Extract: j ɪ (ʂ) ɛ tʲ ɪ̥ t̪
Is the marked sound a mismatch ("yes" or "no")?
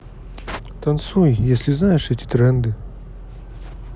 no